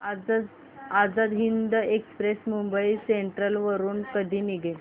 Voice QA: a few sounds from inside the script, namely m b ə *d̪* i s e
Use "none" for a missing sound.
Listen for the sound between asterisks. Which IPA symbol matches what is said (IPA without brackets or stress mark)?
none